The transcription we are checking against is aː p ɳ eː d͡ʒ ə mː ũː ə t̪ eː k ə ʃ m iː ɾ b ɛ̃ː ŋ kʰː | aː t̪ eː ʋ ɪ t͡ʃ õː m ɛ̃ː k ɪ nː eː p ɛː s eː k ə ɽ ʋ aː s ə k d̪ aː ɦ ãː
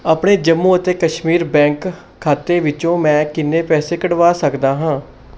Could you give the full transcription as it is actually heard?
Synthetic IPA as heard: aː p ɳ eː d͡ʒ ə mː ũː ə t̪ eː k ə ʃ m iː ɾ b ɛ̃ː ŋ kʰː | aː t̪ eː ʋ ɪ t͡ʃ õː m ɛ̃ː k ɪ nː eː p ɛː s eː k ə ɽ ʋ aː s ə k d̪ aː ɦ ãː